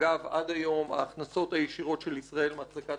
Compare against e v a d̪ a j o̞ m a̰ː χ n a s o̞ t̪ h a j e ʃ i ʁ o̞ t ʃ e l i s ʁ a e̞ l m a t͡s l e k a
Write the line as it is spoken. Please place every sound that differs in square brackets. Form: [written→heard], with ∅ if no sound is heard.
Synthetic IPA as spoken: [e→a] v a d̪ a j o̞ m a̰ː χ n a s o̞ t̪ h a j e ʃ i ʁ o̞ t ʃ e l i s ʁ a e̞ l m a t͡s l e k a